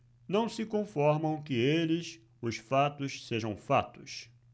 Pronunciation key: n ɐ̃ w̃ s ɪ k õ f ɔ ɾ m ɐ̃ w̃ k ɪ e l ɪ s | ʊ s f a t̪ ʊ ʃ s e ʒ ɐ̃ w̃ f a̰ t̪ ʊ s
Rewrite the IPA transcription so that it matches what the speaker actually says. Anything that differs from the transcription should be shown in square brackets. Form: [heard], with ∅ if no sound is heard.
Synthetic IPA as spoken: n ɐ̃ w̃ s ɪ k õ f ɔ ɾ m ɐ̃ w̃ k ɪ e l ɪ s | ʊ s f a t̪ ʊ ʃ s e ʒ ɐ̃ w̃ f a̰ t̪ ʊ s